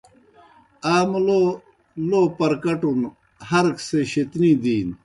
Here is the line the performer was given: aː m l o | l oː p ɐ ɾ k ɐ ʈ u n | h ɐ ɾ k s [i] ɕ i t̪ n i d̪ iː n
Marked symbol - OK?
no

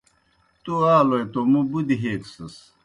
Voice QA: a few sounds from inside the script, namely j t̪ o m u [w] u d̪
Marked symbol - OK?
no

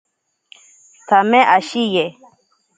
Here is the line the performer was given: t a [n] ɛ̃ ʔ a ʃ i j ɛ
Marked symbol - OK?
no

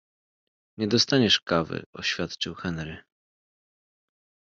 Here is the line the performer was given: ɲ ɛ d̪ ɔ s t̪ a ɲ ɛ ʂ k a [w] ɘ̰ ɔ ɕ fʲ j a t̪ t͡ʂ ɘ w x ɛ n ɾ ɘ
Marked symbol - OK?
no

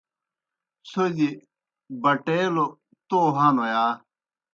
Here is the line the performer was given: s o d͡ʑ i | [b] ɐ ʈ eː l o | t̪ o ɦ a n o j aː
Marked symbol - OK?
yes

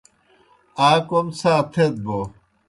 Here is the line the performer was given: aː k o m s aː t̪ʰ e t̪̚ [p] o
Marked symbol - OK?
no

